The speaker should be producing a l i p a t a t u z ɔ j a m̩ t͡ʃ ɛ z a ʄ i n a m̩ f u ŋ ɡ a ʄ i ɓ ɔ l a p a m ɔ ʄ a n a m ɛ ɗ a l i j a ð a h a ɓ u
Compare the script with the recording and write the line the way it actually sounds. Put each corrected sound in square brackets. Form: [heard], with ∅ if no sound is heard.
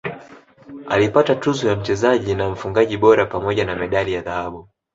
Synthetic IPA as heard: a l i p a t a t u z ɔ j a m̩ t͡ʃ ɛ z a ʄ i n a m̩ f u ŋ ɡ a ʄ i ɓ ɔ [ɾ] a p a m ɔ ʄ a n a m ɛ ɗ a l i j a ð a h a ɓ u